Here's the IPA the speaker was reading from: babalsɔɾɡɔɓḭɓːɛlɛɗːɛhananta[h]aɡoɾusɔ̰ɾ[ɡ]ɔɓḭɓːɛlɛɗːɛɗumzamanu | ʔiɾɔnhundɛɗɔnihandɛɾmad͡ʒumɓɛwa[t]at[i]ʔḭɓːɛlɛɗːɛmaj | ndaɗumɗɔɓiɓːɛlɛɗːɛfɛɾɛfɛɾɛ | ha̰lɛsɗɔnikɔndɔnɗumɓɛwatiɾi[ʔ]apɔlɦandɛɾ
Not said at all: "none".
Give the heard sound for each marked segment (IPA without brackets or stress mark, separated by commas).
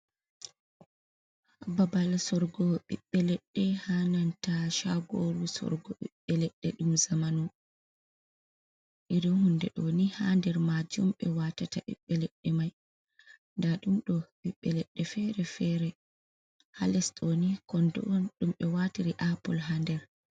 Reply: ʃ, ɡ, t, a, ʔ